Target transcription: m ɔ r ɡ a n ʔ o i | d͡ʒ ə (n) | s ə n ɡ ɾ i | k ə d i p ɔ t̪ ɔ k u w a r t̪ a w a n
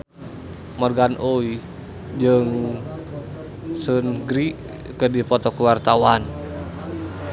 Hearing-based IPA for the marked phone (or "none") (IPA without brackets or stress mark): ŋ